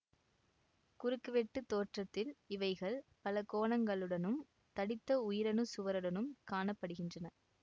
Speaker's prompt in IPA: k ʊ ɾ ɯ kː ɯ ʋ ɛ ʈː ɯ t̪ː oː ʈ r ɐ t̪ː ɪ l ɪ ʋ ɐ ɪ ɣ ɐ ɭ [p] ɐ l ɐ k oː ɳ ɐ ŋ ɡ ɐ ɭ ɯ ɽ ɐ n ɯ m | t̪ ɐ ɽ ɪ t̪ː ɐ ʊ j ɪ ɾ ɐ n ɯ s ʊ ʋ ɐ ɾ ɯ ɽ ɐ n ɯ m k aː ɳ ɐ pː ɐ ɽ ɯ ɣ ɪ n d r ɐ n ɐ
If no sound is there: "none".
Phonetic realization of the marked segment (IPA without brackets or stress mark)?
p